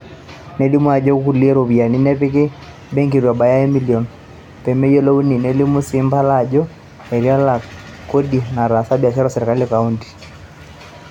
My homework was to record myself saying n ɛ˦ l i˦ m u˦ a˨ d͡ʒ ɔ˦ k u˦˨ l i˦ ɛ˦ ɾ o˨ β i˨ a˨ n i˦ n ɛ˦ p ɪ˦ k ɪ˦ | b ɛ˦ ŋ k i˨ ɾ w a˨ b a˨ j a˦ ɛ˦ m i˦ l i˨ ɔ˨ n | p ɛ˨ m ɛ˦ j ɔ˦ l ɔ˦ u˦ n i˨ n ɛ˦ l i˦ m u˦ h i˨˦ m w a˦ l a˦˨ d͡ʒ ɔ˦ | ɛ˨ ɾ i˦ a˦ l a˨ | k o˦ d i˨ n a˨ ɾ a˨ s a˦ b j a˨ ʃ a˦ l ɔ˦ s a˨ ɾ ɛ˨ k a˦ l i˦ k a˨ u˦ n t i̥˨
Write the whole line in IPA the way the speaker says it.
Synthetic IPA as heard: n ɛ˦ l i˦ m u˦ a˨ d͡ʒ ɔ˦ k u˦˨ l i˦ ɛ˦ ɾ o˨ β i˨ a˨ n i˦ n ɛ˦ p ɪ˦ k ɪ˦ | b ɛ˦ ŋ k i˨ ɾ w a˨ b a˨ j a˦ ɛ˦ m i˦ l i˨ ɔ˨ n | p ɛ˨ m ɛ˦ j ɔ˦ l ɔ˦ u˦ n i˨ n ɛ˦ l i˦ m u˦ s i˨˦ m b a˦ l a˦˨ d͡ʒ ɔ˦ | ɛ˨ ɾ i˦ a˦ l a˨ | k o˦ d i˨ n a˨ ɾ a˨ s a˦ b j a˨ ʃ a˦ ɾ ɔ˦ s ɛ˨ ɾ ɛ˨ k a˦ l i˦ k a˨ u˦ n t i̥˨